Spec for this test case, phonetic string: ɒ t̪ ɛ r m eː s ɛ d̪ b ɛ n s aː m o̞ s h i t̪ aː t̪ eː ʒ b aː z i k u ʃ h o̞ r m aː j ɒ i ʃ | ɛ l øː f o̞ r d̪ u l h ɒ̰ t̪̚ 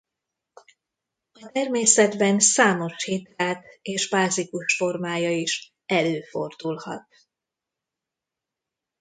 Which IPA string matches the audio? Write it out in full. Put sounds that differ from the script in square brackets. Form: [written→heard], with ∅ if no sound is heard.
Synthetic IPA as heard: ɒ t̪ ɛ r m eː s ɛ d̪ b ɛ n s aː m o̞ [s→ʃ] h i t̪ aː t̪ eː ʒ b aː z i k u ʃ [h→f] o̞ r m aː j ɒ i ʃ | ɛ l øː f o̞ r d̪ u l h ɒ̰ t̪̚